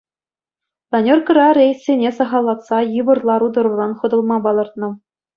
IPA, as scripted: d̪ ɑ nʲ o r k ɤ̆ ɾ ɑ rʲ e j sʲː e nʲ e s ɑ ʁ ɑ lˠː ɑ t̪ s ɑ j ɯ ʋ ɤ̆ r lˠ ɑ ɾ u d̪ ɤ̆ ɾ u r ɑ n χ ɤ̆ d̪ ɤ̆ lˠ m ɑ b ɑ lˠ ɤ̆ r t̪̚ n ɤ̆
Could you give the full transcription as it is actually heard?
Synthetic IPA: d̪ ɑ nʲ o r k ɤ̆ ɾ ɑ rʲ e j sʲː e nʲ e s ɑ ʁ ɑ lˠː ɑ t̪ s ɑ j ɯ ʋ ɤ̆ r lˠ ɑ ɾ u d̪ ɤ̆ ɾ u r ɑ n χ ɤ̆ d̪ ɤ̆ lˠ m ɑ b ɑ lˠ ɤ̆ r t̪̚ n ɤ̆